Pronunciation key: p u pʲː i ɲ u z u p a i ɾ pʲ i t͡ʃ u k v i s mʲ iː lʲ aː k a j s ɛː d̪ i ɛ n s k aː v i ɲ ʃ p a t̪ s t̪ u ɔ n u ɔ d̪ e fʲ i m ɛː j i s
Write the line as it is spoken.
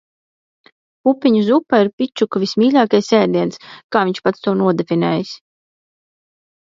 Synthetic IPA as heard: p u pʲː i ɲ u z u p a i ɾ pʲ i t͡ʃ u k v i s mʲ iː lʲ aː k a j s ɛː d̪ i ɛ n s k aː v i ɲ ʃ p a t̪ s t̪ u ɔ n u ɔ d̪ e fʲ i n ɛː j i s